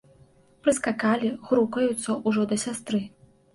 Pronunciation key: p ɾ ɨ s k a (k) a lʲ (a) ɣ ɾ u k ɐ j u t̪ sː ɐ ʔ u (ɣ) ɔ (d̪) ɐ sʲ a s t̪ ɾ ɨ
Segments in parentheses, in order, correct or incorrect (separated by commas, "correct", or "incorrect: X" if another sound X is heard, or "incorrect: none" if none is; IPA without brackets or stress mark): correct, incorrect: i, incorrect: ʐ, correct